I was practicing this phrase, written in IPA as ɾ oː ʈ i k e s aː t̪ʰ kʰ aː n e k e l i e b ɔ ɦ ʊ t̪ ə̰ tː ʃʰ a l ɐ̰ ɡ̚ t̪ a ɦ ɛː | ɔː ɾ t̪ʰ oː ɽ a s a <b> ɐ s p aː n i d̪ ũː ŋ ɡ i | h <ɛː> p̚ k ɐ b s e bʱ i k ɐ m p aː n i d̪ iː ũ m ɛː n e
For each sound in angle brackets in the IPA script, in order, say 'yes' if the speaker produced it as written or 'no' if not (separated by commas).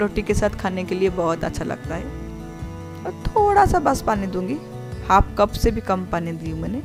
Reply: yes, no